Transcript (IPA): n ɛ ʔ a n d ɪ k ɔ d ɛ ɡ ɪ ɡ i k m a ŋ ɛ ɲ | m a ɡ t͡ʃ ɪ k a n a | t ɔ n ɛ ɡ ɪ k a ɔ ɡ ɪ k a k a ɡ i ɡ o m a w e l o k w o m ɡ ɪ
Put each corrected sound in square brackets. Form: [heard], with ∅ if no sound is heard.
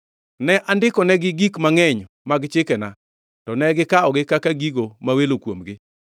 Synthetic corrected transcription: n ɛ ʔ a n d ɪ k ɔ [n] ɛ ɡ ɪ ɡ i k m a ŋ ɛ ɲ | m a ɡ t͡ʃ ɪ k [ɛ] n a | t ɔ n ɛ ɡ ɪ k a ɔ ɡ ɪ k a k a ɡ i ɡ o m a w e l o k w o m ɡ ɪ